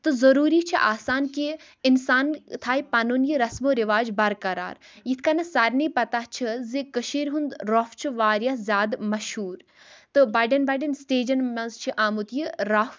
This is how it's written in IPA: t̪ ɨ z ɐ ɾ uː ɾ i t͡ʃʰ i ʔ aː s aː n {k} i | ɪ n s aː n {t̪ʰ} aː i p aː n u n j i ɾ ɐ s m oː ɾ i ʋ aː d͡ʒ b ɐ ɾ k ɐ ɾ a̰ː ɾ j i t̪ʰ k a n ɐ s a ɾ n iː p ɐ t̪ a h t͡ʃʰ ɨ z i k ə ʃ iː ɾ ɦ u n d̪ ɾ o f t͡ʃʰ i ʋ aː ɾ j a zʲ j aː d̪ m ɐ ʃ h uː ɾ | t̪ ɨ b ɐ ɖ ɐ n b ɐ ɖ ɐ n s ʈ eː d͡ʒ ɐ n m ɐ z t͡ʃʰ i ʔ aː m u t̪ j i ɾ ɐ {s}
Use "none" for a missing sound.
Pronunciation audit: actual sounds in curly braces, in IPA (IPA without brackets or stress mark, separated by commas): k, t̪ʰ, f